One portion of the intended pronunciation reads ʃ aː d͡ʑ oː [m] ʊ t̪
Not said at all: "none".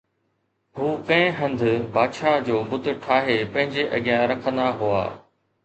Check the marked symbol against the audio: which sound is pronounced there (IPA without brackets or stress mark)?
b